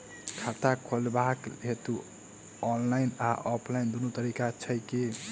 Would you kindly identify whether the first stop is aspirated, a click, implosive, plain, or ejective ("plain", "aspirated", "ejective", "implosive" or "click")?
aspirated